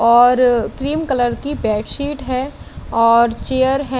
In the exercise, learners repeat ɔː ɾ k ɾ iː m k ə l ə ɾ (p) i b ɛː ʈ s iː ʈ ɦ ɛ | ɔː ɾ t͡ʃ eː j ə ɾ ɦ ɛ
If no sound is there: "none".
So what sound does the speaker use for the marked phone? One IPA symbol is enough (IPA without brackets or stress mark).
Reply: k